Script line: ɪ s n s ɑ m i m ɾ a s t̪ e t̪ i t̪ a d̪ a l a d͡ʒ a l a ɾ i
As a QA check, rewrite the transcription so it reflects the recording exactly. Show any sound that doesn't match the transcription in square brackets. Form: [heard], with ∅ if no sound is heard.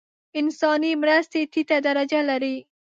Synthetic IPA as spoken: ɪ [∅] n s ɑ [n] i m ɾ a s t̪ e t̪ i t̪ a d̪ a [ɾ] a d͡ʒ a l a ɾ i